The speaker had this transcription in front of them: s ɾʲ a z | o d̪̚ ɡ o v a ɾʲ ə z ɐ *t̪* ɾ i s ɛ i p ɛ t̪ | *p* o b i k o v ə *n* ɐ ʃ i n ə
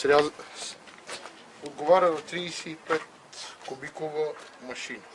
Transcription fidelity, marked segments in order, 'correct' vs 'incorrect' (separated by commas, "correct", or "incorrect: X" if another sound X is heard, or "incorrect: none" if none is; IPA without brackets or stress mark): correct, incorrect: k, incorrect: m